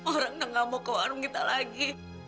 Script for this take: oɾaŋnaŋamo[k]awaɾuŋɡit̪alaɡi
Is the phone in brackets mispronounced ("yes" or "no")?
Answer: no